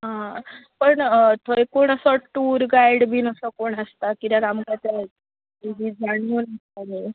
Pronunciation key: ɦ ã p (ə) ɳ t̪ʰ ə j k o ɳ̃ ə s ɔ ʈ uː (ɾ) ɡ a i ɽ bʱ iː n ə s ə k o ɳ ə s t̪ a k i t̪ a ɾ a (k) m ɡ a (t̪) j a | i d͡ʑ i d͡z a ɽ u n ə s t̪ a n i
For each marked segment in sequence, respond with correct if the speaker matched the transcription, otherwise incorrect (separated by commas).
correct, correct, incorrect, correct